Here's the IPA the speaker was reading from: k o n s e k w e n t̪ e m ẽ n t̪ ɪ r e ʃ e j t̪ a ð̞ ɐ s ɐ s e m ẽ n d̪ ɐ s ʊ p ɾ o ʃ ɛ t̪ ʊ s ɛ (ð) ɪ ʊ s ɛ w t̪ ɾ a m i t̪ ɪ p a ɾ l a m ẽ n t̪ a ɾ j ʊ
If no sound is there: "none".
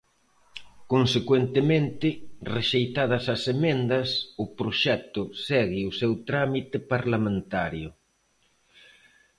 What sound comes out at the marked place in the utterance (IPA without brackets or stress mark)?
ɣ